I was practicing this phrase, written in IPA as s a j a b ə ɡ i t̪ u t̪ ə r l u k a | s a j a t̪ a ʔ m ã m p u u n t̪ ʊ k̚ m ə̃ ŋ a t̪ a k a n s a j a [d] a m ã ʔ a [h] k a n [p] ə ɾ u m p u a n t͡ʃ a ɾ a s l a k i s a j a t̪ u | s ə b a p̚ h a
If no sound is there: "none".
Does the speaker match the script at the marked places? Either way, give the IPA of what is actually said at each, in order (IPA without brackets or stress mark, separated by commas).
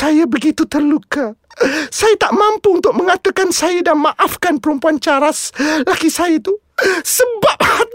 d, f, p